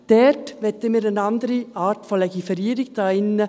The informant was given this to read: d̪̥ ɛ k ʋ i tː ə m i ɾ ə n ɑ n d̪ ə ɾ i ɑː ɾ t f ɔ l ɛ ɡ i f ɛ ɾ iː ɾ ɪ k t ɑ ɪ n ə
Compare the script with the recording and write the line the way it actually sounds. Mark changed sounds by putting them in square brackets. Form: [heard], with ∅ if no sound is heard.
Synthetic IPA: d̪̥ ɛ [t] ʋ [ɛ] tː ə m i ɾ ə n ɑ n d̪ ə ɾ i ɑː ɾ t f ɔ l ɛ ɡ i f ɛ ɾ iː ɾ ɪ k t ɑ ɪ n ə